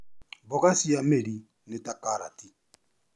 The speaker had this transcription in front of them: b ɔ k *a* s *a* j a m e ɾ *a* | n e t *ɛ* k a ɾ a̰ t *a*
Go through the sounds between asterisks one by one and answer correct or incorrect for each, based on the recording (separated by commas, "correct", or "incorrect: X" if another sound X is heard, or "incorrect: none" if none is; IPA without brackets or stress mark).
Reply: correct, incorrect: i, incorrect: i, incorrect: a, incorrect: i